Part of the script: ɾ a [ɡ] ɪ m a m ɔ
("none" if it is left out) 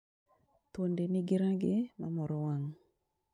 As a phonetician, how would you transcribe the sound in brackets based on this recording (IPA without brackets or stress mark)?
ɡ